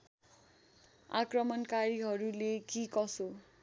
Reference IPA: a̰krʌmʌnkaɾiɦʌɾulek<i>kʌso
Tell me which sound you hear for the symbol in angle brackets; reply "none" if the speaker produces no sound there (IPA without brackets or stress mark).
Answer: i